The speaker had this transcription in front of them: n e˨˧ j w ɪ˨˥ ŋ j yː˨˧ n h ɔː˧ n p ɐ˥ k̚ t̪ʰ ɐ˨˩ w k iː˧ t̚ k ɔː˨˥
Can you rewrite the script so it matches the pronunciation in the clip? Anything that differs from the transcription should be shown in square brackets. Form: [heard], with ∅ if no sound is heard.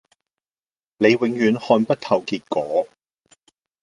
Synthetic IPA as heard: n e˨˧ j w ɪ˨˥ ŋ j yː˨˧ n h ɔː˧ n p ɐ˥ [t̚] t̪ʰ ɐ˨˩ w k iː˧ t̚ k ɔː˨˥